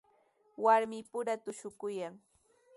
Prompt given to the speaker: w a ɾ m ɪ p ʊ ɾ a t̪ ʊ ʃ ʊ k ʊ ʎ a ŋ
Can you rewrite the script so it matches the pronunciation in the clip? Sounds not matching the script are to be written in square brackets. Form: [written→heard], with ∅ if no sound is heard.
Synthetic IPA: w a ɾ m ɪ p ʊ ɾ a t̪ ʊ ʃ ʊ k ʊ [ʎ→j] a ŋ